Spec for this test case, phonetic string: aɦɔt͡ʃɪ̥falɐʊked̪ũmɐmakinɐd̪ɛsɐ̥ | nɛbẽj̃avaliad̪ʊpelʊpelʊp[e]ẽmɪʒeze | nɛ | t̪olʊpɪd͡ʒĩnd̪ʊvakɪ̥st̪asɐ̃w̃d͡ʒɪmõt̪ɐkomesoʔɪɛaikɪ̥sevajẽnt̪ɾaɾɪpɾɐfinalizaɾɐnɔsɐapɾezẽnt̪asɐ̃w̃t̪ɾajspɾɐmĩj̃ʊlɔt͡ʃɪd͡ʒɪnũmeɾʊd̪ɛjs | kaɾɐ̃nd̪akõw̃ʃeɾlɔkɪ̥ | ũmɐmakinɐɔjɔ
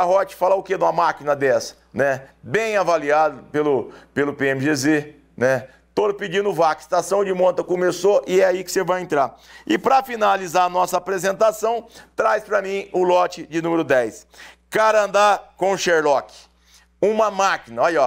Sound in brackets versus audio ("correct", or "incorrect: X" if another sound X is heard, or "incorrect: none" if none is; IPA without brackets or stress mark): correct